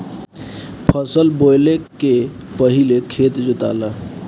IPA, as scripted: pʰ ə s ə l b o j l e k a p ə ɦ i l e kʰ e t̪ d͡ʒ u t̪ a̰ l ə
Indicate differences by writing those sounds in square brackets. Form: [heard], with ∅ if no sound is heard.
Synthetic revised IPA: pʰ ə s ə l b o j l e k [e] p ə ɦ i l e kʰ e t̪ d͡ʒ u t̪ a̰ l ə